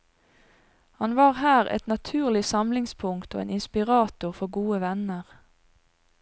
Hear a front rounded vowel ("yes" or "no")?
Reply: no